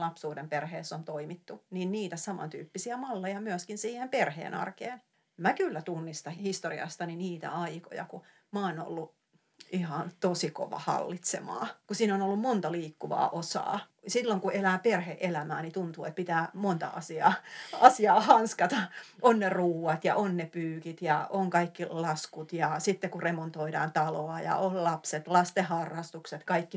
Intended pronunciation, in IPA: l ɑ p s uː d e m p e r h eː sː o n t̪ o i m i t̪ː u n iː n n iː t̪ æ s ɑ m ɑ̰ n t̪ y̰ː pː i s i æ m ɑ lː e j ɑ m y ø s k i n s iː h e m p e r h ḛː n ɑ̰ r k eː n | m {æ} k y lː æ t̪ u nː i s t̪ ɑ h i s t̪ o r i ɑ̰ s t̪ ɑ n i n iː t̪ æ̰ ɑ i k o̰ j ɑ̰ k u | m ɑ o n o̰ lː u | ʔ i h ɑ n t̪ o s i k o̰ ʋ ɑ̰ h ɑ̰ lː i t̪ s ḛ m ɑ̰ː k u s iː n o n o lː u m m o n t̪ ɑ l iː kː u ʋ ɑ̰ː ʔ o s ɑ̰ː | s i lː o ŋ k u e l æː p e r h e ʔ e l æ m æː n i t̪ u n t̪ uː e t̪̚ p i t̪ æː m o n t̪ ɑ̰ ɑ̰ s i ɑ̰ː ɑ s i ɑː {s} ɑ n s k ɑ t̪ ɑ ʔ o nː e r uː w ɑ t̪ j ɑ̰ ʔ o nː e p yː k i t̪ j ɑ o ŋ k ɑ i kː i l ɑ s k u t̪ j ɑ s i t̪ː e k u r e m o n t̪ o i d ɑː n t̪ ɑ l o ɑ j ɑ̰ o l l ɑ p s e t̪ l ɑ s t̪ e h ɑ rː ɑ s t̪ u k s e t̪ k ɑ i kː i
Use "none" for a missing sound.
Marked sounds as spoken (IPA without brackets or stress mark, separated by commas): æ, h